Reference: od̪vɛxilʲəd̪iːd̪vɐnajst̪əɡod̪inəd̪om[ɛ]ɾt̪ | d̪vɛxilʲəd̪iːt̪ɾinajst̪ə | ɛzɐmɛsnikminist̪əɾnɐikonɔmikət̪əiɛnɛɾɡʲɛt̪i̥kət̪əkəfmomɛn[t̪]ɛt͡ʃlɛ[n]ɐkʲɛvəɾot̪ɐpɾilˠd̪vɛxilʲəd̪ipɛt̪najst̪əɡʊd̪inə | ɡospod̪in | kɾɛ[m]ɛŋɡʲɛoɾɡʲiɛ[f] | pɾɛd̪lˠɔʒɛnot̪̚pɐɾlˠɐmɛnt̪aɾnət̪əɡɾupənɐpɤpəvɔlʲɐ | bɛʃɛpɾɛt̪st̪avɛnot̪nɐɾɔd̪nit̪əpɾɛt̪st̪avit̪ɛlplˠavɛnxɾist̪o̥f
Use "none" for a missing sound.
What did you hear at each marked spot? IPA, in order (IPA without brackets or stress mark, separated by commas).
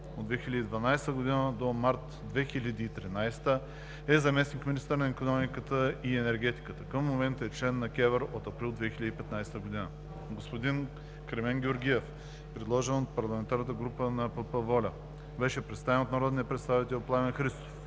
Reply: a, t̪, nː, m, f